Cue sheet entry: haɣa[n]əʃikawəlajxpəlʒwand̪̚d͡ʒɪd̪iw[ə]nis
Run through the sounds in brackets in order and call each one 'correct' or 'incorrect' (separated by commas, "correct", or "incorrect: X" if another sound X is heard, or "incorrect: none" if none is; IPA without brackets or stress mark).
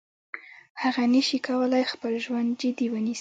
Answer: correct, correct